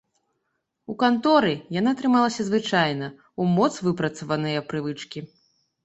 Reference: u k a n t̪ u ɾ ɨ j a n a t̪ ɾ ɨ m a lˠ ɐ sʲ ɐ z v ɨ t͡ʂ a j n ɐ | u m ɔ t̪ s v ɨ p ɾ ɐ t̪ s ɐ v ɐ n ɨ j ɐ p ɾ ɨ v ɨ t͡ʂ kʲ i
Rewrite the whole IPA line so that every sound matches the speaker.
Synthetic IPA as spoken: u k a n t̪ ɔ ɾ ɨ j a n a t̪ ɾ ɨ m a lˠ ɐ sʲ ɐ z v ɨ t͡ʂ a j n ɐ | u m ɔ t̪ s v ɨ p ɾ ɐ t̪ s ɐ v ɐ n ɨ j ɐ p ɾ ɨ v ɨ t͡ʂ kʲ i